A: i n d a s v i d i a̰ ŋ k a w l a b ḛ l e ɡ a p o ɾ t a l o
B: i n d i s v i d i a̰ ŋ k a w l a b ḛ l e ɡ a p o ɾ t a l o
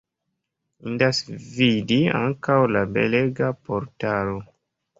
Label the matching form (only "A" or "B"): A